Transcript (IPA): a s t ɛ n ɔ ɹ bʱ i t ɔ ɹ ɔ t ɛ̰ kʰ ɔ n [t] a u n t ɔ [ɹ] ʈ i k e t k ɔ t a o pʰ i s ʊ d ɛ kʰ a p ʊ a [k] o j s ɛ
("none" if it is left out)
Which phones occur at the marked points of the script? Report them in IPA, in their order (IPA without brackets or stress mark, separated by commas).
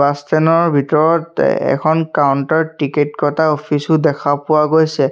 k, ɹ, ɡ